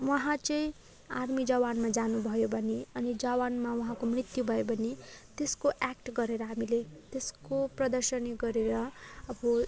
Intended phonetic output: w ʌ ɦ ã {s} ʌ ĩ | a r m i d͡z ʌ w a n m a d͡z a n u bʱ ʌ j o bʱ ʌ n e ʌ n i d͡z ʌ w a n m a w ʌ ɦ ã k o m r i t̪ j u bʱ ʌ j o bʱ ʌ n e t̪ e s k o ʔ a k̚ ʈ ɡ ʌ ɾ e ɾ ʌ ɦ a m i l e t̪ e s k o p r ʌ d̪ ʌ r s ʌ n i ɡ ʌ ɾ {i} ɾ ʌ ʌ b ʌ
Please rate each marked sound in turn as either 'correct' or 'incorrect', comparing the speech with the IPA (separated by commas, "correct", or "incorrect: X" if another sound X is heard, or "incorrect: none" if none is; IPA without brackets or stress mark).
incorrect: t͡s, incorrect: e